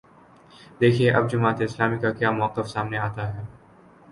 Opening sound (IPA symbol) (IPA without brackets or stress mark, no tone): d̪